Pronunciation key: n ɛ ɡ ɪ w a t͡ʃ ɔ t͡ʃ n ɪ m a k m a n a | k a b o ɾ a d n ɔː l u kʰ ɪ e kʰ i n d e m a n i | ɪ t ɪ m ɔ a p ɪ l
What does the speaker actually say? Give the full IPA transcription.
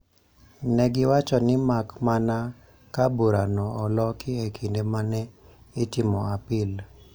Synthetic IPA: n ɛ ɡ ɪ w a t͡ʃ ɔ n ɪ m a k m a n a | k a b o ɾ a n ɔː l ɔ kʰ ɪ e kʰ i n d e m a n ɛ | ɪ t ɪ m ɔ a p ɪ l